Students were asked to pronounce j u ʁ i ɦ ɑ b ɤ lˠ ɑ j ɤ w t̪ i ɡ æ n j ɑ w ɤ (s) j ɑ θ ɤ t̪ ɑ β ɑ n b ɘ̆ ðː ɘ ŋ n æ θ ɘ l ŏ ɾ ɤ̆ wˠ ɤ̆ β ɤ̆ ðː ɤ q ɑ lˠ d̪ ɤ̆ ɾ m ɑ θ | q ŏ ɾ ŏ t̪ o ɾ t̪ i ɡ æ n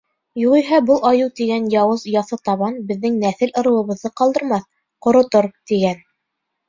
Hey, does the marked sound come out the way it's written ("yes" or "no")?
no